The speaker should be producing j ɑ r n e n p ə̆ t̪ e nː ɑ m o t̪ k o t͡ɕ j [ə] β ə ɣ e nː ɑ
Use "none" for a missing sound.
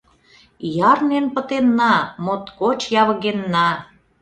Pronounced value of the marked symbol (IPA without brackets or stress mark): ɑ